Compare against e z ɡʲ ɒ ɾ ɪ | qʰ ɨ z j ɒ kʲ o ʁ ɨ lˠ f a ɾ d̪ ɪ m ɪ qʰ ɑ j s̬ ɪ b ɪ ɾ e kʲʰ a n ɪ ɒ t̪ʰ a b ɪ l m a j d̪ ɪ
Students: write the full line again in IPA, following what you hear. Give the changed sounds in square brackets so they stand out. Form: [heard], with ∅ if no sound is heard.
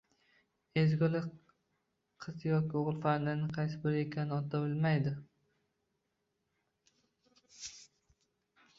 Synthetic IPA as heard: e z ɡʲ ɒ [l] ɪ | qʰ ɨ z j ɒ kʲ o ʁ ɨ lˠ f a ɾ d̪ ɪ [n] ɪ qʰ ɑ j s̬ ɪ b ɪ ɾ e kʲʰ a n ɪ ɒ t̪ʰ a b ɪ l m a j d̪ ɪ